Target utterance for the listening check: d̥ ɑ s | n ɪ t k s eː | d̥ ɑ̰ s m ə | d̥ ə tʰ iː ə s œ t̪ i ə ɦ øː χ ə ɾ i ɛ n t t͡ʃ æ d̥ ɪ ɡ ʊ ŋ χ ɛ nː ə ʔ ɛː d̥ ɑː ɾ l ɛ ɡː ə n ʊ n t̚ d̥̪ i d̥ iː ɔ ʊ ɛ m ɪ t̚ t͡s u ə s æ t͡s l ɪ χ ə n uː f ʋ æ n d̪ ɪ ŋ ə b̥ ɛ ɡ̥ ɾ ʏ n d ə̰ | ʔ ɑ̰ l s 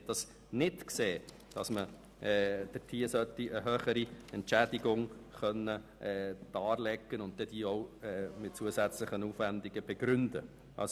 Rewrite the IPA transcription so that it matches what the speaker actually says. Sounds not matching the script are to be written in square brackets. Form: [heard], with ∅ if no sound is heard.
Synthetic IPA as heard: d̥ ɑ s | n ɪ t k s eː | d̥ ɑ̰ s m ə | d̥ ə tʰ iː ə s œ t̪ i ə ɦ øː χ ə ɾ i ɛ n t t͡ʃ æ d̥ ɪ ɡ ʊ ŋ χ [œ] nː ə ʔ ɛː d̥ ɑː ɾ l ɛ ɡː ə n ʊ n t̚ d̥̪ [ɛ] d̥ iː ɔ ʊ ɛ m ɪ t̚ t͡s u ə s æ t͡s l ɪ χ ə n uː f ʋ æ n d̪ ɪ [ɡ] ə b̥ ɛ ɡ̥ ɾ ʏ n d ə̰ | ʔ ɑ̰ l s

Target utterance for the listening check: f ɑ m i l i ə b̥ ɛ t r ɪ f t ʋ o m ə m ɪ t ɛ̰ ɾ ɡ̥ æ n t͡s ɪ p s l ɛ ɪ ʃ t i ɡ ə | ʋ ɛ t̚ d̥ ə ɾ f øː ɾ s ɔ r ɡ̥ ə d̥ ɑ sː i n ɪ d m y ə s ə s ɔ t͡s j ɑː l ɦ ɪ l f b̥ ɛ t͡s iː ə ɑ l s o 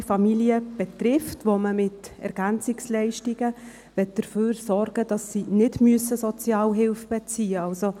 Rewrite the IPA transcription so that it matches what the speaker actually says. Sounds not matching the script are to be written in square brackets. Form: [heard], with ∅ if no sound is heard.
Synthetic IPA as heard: f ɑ m i l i ə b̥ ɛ t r ɪ f t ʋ o m ə m ɪ t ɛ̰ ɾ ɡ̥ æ n t͡s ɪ [k] s l ɛ ɪ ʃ t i ɡ ə | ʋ ɛ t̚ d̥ ə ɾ f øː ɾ s ɔ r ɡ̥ ə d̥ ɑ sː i n ɪ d m y ə s ə s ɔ t͡s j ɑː l ɦ ɪ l f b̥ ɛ t͡s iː ə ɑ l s o

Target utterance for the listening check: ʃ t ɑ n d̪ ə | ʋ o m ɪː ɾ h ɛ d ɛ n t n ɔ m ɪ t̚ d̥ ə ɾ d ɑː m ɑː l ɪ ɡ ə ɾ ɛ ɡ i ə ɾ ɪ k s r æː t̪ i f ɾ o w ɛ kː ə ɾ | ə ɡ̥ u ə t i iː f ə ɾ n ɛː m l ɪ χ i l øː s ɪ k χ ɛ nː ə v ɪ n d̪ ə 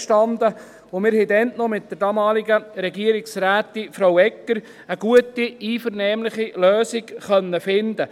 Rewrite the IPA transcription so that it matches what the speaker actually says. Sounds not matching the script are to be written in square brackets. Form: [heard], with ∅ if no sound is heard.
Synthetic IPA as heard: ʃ t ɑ n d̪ ə | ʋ o m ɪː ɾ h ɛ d ɛ n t n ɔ m ɪ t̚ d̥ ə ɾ d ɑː m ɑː l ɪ ɡ ə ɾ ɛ ɡ i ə ɾ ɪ k s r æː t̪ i f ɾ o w ɛ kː ə ɾ | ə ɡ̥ u ə t i iː f ə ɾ n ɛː m l ɪ χ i l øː s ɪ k χ [œ] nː ə [f] ɪ n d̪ ə

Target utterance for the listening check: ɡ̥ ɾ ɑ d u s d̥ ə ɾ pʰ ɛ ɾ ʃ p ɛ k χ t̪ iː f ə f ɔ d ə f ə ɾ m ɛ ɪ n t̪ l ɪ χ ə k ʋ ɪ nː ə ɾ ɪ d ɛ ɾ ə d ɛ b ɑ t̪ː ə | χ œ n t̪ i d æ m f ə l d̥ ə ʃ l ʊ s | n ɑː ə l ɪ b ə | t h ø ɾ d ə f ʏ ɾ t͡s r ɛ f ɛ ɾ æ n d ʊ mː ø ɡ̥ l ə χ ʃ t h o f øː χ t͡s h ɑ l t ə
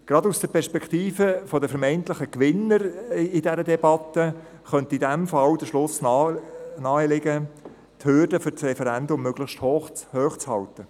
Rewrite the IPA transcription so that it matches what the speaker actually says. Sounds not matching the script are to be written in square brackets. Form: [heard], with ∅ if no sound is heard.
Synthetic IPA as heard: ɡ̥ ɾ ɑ d u s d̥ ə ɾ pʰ ɛ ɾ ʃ p ɛ k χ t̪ iː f ə f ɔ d ə f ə ɾ m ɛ ɪ n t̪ l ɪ χ ə k ʋ ɪ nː ə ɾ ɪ d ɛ ɾ ə d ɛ b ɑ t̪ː ə | χ œ n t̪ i d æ m f [ɑ] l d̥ ə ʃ l ʊ s | n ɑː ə l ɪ [ɡ] ə | t h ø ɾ d ə f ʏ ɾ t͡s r ɛ f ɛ ɾ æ n d ʊ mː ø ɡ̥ l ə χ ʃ t h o [h] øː χ t͡s h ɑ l t ə

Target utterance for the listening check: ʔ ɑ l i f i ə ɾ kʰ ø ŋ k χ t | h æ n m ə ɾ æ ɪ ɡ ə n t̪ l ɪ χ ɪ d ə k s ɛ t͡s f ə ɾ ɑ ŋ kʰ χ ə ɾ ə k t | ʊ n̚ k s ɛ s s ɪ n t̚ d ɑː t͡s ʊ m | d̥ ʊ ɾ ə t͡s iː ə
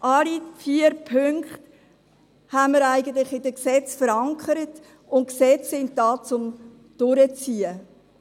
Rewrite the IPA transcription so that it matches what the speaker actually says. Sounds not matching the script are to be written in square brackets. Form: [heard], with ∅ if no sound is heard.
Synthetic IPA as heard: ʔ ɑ l i f i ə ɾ [pʰ] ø ŋ k χ t | h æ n m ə ɾ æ ɪ ɡ ə n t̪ l ɪ χ ɪ d ə k s ɛ t͡s f ə ɾ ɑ ŋ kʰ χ ə ɾ ə [∅] t | ʊ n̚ k s ɛ [t͡s] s ɪ n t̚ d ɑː t͡s ʊ m | d̥ ʊ ɾ ə t͡s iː ə

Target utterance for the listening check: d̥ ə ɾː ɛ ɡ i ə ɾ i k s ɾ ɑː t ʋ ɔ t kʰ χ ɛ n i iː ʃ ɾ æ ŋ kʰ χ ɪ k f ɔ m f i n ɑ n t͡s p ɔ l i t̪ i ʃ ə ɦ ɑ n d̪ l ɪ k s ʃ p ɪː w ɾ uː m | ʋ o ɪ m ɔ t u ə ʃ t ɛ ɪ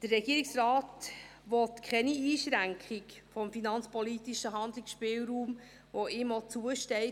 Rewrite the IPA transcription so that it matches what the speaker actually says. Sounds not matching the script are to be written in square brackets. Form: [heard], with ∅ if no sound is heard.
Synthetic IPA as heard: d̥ ə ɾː ɛ ɡ i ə ɾ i k s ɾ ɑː t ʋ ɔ t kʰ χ ɛ n i iː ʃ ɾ æ ŋ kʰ χ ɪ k f ɔ m f i n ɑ n t͡s p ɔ l i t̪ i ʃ ə ɦ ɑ n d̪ l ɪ k s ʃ p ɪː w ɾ uː m | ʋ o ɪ m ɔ [t͡s] u ə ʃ t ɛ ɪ

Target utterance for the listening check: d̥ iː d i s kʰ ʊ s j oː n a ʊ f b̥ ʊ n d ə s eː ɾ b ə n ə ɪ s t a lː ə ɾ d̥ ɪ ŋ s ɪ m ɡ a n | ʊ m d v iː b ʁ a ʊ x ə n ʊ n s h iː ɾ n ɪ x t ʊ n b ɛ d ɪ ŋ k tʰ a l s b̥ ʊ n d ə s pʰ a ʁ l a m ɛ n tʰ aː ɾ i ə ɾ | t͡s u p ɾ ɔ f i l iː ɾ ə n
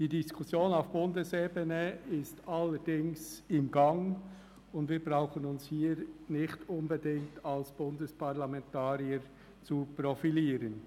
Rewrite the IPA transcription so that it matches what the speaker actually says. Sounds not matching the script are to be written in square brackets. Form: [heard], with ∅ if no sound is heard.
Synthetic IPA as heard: d̥ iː d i s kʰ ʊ s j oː n a ʊ f b̥ ʊ n d ə s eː [∅] b ə n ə ɪ s t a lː ə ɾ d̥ ɪ ŋ s ɪ m ɡ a [ŋ] | ʊ [n] d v iː b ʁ a ʊ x ə n ʊ n s h iː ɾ n ɪ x t ʊ n b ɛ d ɪ ŋ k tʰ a l s b̥ ʊ n d ə s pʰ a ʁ l a m ɛ n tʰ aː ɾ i ə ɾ | t͡s u p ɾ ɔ f i l iː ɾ ə n

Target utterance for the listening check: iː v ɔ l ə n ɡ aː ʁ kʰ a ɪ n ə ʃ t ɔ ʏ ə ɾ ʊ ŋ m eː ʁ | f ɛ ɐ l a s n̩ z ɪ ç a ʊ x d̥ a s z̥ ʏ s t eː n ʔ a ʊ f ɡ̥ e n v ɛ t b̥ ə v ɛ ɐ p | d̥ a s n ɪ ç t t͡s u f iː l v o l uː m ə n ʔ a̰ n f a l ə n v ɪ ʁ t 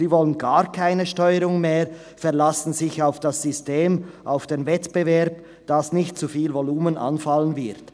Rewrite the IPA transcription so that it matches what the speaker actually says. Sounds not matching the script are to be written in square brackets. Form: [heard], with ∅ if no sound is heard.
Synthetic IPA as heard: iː v ɔ l ə n ɡ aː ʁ kʰ a ɪ n ə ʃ t ɔ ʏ ə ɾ ʊ ŋ m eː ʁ | f ɛ ɐ l a s n̩ z ɪ ç a ʊ [f] d̥ a s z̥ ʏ s t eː [m] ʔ a ʊ f [d̥] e n v ɛ t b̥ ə v ɛ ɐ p | d̥ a s n ɪ ç t t͡s u f iː l v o l uː m ə n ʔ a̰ n f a l ə n v ɪ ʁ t

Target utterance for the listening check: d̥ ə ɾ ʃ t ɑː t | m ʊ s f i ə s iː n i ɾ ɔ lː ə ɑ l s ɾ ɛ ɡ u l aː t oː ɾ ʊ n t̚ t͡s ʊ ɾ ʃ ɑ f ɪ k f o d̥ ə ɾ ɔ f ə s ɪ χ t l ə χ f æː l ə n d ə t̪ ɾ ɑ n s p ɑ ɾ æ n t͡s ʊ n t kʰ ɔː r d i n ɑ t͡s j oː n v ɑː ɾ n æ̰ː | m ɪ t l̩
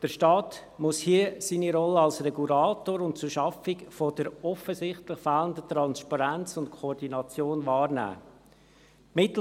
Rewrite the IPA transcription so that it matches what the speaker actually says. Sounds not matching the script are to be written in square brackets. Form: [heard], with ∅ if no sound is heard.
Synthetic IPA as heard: d̥ ə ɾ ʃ t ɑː t | m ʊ s [h] i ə s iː n i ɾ ɔ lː ə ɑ l s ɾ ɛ ɡ u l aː t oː ɾ ʊ n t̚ t͡s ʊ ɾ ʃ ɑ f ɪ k f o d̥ ə ɾ ɔ f ə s ɪ χ t l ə χ f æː l ə n d ə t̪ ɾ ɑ n s p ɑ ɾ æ n t͡s ʊ n t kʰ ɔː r d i n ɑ t͡s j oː n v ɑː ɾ n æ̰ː | m ɪ t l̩

